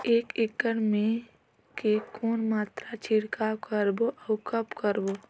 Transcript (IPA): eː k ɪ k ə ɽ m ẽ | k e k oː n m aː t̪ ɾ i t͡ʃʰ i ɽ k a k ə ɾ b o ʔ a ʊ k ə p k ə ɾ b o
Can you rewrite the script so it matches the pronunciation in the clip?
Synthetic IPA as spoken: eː k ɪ k ə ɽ m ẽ | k e k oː n m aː t̪ ɾ a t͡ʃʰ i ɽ k a k ə ɾ b o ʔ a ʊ k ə p k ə ɾ b o